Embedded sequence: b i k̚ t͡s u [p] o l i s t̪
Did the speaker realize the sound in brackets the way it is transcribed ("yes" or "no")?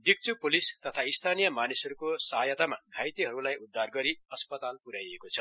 yes